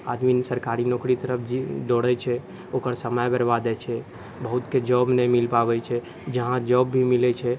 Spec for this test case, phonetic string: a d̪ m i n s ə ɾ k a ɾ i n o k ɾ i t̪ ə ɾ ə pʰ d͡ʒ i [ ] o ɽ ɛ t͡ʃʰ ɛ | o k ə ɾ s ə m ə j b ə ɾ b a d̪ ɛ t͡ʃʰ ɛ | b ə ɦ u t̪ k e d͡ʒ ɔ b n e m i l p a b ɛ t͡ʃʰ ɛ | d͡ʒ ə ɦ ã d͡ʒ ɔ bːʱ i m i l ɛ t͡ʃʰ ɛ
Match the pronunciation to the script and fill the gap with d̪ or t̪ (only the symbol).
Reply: d̪